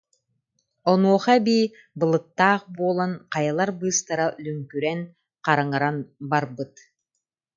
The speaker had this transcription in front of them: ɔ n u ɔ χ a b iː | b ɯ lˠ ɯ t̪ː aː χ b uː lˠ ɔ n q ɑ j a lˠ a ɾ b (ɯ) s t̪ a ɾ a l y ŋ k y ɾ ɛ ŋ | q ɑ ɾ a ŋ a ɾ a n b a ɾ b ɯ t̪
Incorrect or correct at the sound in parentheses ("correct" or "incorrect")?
incorrect